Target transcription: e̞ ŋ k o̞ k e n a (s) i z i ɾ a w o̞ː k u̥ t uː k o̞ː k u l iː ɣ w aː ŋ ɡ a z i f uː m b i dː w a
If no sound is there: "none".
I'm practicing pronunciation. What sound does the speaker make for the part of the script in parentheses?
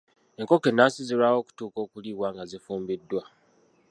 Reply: s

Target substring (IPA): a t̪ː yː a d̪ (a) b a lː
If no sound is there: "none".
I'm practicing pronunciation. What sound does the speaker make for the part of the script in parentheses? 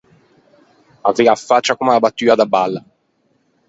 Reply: a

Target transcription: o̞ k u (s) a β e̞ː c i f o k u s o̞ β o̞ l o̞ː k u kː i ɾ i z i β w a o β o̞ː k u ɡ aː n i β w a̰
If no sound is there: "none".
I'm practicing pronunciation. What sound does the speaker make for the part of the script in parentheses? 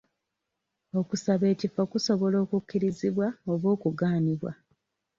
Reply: s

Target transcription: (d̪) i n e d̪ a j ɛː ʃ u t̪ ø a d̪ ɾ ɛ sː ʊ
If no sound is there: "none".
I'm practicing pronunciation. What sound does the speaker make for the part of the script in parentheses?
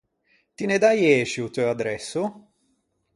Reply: t̪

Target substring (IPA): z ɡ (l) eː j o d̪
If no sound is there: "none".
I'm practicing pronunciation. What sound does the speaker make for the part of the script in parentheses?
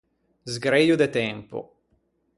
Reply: ɾ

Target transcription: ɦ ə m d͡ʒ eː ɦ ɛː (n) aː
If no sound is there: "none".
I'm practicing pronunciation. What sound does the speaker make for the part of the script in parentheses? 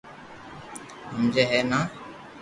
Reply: n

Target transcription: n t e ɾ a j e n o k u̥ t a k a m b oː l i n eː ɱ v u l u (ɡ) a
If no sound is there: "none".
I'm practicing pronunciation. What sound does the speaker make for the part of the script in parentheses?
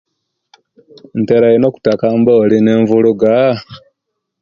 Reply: ɡ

